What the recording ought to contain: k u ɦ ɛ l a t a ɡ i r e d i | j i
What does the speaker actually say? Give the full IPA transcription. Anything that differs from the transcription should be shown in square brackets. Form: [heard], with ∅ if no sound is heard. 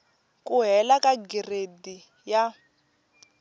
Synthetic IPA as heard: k u ɦ ɛ l a [k] a ɡ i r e d i | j [a]